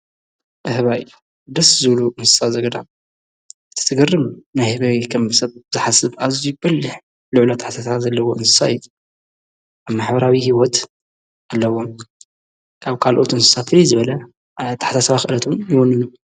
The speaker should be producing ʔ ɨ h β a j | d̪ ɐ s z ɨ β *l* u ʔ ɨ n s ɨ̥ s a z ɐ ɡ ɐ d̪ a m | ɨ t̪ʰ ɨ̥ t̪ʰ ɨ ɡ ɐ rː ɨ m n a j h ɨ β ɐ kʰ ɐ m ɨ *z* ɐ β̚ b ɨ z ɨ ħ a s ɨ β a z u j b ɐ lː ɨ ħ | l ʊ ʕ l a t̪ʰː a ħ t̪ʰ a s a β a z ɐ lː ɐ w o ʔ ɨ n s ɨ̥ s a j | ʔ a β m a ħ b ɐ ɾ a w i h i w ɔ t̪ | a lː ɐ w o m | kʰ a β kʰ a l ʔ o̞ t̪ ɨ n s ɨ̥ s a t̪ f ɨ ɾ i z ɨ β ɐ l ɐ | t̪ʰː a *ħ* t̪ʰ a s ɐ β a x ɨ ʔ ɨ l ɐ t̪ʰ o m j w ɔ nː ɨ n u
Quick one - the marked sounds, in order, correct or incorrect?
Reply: correct, incorrect, correct

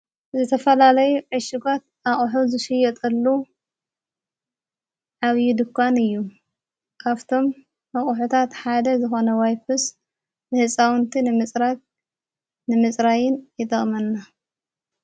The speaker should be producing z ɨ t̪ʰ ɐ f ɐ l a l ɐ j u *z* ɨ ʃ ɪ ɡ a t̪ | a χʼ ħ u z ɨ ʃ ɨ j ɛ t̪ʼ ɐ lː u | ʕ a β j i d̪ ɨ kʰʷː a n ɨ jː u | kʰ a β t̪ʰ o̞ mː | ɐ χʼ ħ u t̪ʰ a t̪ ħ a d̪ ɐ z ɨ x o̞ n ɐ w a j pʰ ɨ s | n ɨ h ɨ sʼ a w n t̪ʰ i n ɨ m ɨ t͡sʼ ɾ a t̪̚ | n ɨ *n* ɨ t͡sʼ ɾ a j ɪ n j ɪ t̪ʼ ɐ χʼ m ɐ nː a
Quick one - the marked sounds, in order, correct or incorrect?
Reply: incorrect, incorrect

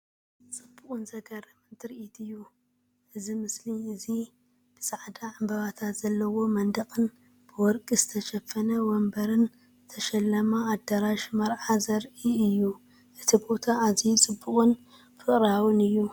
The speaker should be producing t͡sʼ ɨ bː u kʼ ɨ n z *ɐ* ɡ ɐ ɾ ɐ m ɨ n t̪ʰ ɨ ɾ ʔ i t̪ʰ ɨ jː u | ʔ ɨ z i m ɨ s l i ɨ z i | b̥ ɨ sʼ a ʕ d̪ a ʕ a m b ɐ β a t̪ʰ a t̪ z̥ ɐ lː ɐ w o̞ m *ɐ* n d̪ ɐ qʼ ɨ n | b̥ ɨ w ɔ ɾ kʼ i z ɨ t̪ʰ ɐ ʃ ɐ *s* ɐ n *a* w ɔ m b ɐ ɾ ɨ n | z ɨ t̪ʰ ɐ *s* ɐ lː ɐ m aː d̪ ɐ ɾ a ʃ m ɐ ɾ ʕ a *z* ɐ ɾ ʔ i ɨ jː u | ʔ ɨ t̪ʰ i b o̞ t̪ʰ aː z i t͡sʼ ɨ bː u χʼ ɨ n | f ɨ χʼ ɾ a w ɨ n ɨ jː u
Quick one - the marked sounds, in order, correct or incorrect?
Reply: correct, correct, incorrect, incorrect, incorrect, correct

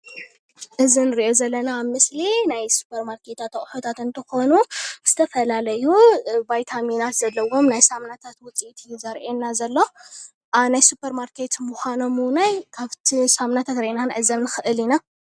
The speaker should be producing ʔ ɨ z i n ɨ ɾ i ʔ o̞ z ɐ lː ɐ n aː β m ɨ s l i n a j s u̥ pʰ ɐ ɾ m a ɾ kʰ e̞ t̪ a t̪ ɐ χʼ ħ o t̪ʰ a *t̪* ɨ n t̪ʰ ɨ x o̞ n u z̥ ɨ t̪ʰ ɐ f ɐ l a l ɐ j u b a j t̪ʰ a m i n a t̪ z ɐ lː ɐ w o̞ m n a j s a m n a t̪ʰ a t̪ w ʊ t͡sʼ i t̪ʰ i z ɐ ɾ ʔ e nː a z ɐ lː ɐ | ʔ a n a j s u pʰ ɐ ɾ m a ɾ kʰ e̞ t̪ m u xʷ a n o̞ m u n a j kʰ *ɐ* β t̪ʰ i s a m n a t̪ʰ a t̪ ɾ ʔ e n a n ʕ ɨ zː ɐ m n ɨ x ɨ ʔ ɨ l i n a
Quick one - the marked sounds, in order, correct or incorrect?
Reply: correct, incorrect

